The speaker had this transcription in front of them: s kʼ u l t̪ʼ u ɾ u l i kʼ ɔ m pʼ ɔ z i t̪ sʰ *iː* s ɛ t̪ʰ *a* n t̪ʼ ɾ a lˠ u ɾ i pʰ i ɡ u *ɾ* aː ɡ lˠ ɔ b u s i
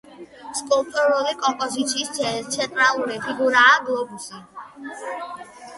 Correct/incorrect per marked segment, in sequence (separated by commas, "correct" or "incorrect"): correct, incorrect, correct